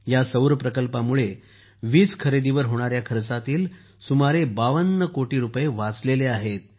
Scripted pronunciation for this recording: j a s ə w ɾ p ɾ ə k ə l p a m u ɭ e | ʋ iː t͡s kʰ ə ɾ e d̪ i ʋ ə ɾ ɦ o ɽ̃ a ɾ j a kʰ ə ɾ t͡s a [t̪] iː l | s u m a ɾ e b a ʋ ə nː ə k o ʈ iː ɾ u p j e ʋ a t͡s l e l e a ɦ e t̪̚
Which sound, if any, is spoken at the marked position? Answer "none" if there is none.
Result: t̪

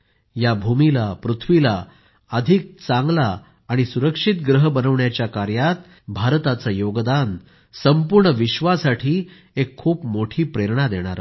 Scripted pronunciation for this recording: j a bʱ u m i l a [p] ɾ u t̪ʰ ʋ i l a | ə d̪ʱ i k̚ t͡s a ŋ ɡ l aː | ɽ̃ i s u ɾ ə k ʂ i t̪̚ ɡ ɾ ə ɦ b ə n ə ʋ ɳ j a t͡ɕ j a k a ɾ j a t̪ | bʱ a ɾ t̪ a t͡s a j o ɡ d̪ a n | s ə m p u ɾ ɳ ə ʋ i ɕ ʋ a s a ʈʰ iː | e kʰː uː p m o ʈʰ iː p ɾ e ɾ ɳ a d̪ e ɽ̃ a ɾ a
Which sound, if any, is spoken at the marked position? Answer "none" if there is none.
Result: p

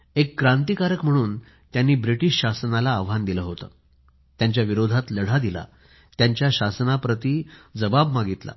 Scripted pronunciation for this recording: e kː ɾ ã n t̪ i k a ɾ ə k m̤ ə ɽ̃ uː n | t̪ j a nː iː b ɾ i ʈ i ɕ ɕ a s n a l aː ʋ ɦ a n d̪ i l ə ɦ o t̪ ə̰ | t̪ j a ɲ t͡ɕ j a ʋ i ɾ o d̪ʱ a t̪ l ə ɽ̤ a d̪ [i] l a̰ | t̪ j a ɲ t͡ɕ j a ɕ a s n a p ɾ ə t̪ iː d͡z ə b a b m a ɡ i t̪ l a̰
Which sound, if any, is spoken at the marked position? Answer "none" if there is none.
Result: i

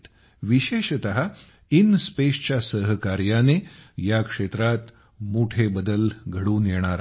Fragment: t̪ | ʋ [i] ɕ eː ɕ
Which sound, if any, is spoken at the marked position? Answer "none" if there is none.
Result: i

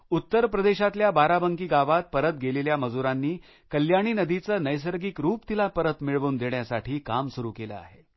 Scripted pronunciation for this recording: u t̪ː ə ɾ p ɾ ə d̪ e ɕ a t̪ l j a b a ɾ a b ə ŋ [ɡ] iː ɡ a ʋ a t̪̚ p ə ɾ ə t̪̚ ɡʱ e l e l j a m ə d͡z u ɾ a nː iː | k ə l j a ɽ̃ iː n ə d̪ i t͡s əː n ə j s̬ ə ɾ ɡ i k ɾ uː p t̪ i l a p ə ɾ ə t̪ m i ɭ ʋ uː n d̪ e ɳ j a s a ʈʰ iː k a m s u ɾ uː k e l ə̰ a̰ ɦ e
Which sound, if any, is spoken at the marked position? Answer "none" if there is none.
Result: k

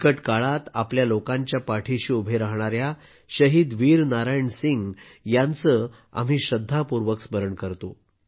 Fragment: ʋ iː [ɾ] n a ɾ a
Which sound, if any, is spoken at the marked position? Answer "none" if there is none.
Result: ɾ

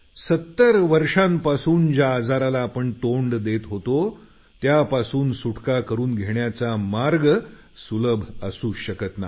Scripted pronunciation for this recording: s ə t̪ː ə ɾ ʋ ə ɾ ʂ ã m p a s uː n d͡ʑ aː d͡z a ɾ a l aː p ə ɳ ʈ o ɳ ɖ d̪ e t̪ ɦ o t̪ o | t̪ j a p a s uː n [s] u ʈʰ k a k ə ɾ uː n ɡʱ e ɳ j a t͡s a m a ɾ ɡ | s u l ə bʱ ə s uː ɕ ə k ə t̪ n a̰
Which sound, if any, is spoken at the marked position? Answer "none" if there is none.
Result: s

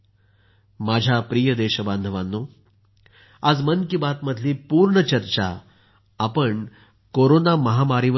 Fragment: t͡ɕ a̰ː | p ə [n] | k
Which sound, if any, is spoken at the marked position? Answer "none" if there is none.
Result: ɳ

